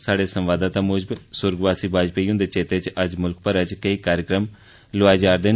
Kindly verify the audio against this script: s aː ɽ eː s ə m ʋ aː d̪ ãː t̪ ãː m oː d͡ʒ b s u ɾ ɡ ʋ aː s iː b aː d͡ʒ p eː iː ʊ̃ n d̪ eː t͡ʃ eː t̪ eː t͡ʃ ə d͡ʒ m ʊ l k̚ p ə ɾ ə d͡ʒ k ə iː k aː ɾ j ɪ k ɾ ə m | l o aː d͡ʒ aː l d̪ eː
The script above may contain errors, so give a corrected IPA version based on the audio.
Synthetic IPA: s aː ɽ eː s ə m ʋ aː d̪ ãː t̪ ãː m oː d͡ʒ b s ʊ ɾ ɡ ʋ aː s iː b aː d͡ʒ p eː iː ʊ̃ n d̪ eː t͡ʃ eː t̪ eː t͡ʃ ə d͡ʒ m ʊ l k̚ p ə ɾ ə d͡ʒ k ə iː k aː ɾ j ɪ k ɾ ə m | l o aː d͡ʒ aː ɾ d̪ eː